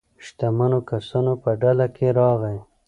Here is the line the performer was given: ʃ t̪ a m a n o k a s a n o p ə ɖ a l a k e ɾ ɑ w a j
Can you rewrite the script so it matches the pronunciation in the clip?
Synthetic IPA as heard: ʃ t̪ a m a n o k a s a n o p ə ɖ a l a k e ɾ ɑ ɣ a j